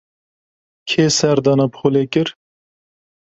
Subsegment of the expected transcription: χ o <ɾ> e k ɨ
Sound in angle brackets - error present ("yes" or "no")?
yes